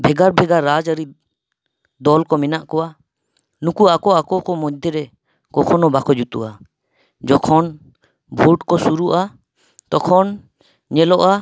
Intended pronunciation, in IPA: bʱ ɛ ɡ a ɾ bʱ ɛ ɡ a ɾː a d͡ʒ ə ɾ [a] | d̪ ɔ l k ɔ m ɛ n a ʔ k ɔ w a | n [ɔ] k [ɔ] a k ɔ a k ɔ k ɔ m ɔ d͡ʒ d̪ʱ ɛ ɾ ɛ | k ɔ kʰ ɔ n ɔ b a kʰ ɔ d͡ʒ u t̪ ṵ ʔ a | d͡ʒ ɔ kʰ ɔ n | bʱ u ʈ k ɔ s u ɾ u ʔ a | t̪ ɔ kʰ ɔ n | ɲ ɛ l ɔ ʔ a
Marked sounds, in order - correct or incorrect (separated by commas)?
incorrect, incorrect, incorrect